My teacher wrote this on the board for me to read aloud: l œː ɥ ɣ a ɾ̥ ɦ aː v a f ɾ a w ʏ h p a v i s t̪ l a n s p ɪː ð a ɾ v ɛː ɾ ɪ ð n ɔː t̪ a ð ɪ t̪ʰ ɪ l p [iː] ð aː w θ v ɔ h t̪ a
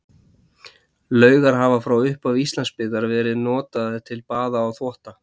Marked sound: incorrect: aː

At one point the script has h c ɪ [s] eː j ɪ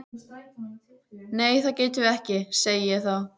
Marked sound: correct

